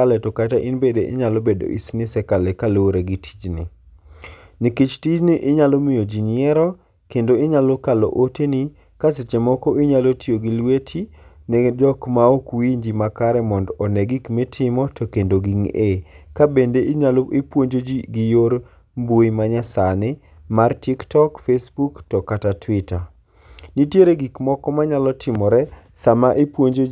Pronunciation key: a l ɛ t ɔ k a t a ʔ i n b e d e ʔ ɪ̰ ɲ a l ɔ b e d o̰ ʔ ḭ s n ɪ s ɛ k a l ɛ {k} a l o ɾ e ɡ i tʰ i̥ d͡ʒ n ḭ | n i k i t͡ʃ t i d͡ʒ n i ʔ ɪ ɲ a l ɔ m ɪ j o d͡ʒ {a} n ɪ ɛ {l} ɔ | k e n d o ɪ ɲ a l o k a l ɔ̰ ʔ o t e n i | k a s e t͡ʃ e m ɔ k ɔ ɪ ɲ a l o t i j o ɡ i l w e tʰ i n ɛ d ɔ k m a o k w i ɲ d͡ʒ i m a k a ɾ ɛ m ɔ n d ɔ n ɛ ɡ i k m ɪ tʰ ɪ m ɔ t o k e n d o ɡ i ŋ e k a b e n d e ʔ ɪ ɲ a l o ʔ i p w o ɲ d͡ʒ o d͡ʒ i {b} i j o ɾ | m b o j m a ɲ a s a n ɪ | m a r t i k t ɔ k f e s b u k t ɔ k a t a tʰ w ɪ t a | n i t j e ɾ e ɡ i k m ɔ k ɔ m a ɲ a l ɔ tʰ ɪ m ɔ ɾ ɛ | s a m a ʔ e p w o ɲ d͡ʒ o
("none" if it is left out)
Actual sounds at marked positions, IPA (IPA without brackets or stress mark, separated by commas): k, i, ɾ, ɡ